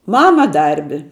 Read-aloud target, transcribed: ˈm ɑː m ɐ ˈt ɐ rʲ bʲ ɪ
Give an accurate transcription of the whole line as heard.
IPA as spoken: ˈm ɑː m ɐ ˈd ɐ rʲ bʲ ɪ

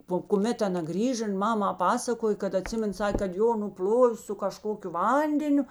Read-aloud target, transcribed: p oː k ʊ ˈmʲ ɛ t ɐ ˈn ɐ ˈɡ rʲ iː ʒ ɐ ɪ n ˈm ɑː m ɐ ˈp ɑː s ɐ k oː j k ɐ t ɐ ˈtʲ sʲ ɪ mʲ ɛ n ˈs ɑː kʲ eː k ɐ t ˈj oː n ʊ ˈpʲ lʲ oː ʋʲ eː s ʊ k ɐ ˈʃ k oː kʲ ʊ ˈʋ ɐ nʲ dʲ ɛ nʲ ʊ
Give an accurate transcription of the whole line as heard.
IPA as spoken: p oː k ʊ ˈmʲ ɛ t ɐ ˈn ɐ ˈɡ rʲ iː ʒ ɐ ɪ n ˈm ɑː m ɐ ˈp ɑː s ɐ k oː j k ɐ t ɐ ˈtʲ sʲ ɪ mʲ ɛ n ˈs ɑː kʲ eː k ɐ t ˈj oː n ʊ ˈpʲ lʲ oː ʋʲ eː s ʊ k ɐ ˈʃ k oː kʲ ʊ ˈʋ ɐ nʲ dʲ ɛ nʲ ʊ

